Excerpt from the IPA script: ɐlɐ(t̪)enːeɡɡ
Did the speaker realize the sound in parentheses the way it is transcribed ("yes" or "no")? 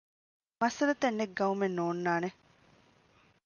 yes